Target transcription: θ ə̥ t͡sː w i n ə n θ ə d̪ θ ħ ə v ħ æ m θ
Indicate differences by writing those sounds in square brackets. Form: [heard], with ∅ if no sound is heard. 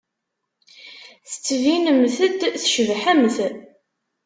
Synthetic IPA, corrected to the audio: θ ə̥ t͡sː [v] i n ə [m] θ ə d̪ θ [ʃ] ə v ħ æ m θ